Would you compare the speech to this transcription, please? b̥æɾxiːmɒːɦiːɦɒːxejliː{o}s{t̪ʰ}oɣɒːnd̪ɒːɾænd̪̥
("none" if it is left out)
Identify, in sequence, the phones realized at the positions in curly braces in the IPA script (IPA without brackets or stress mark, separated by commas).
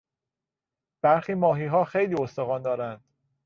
o, t̪